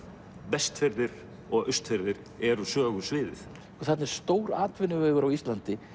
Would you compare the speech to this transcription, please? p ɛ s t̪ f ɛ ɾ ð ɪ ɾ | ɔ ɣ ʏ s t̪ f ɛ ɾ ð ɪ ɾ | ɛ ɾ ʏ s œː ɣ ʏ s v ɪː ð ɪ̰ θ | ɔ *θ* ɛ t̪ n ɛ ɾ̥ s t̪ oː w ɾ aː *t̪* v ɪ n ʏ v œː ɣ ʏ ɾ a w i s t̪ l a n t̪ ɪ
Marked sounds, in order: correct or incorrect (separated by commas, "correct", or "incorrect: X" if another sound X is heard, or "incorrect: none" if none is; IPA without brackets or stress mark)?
correct, correct